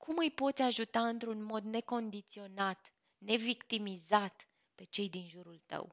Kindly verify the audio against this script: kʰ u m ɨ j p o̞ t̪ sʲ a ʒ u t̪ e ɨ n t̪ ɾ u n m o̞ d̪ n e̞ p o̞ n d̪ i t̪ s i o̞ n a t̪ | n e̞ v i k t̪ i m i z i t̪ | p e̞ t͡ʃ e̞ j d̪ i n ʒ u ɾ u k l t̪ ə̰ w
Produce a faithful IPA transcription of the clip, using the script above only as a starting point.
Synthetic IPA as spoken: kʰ u m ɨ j p o̞ t̪ sʲ a ʒ u t̪ a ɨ n t̪ ɾ u n m o̞ d̪ n e̞ k o̞ n d̪ i t̪ s i o̞ n a t̪ | n e̞ v i k t̪ i m i z a t̪ | p e̞ t͡ʃ e̞ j d̪ i n ʒ u ɾ u l t̪ ə̰ w